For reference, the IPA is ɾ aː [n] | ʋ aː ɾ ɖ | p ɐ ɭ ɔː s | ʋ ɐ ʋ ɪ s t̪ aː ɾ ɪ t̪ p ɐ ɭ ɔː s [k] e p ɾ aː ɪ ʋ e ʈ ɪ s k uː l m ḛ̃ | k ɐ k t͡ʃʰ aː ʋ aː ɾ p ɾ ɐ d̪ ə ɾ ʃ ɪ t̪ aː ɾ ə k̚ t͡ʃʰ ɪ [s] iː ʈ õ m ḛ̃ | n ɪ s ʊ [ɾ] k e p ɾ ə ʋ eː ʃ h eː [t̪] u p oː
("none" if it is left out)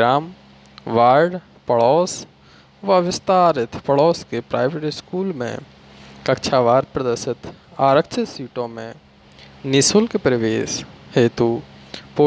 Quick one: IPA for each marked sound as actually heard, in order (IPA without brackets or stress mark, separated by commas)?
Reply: m, k, s, l, t̪